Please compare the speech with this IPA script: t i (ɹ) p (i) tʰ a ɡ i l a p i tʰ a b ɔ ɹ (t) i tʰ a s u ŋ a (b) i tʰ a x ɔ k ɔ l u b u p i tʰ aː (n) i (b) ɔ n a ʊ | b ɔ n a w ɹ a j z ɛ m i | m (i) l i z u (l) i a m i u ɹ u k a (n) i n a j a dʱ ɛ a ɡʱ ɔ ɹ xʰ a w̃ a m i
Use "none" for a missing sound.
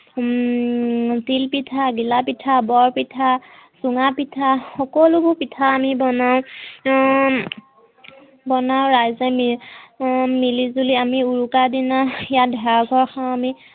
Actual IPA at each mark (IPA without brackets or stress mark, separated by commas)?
l, i, p, p, m, b, i, l, d